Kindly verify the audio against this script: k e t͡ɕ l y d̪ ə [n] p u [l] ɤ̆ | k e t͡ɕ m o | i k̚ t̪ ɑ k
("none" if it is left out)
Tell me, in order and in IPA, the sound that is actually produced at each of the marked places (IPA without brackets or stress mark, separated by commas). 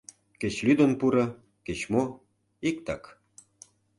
n, ɾ